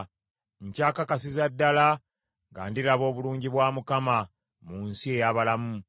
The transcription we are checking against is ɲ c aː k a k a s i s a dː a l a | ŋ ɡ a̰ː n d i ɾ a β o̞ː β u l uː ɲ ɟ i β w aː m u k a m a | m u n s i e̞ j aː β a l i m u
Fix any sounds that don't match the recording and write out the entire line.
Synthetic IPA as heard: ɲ c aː k a k a s i z a dː a l a | ŋ ɡ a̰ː n d i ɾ a β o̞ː β u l uː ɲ ɟ i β w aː m u k a m a | m u n s i e̞ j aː β a l a m u